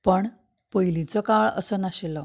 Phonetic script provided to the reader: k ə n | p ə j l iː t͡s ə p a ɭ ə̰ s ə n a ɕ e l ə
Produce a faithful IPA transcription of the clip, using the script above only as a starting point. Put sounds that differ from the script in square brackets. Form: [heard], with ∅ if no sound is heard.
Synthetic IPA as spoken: [p] ə [ɳ] | p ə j l [i] t͡s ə [k] a ɭ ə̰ s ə n a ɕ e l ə